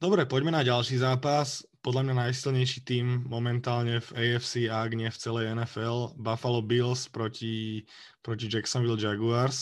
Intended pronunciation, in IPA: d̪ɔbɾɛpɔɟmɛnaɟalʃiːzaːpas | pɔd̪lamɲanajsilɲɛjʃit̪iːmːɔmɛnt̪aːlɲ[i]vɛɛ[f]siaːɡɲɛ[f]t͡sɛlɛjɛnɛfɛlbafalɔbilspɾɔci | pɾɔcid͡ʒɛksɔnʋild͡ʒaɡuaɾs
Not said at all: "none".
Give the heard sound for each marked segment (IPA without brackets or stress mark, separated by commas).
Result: ɛ, f, f